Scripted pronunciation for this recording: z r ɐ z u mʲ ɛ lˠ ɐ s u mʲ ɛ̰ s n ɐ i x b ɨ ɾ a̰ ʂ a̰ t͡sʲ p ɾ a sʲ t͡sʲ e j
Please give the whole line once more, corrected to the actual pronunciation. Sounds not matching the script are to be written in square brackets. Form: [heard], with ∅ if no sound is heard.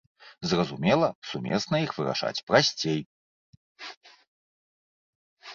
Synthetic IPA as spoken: z r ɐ z u mʲ ɛ lˠ ɐ s u mʲ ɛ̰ s n ɐ i x [v] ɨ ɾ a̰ ʂ a̰ t͡sʲ p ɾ a sʲ t͡sʲ e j